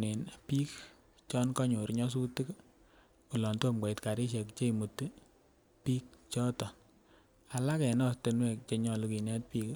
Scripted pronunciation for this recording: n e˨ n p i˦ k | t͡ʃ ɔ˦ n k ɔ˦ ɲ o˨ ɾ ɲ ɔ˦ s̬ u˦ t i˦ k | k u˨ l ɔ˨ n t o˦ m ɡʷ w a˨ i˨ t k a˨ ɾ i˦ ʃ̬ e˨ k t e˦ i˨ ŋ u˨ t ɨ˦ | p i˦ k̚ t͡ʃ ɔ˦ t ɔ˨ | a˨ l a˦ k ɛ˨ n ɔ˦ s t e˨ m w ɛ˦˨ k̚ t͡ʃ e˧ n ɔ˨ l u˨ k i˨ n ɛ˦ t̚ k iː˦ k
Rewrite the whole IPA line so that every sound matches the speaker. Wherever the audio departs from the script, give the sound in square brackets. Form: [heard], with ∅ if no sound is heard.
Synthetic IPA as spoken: n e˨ n p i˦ k | t͡ʃ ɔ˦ n k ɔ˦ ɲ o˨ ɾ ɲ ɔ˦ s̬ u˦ t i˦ k | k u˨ l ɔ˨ n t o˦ m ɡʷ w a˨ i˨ t k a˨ ɾ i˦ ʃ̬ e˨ k [t͡ʃ] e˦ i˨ [m] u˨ t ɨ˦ | p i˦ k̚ t͡ʃ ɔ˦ t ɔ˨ | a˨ l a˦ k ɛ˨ n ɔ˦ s t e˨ [n] w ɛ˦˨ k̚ t͡ʃ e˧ [ɲ] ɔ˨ l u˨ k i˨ n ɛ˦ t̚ [p] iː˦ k